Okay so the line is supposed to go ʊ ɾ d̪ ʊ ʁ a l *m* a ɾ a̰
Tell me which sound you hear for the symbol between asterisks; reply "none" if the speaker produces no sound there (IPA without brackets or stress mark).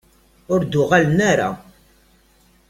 n